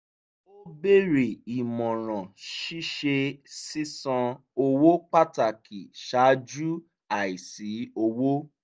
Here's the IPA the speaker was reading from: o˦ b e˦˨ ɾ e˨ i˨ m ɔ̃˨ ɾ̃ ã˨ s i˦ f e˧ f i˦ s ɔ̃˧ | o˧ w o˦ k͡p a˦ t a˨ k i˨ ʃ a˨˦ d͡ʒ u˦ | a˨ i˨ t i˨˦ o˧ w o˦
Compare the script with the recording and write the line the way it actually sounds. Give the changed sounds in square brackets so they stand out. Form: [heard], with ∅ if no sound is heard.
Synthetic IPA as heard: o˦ b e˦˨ ɾ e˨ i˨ m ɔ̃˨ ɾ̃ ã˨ [ʃ] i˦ [ʃ] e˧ [s] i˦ s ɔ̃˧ | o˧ w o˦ k͡p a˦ t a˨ k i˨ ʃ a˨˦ d͡ʒ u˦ | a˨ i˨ [s] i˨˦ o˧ w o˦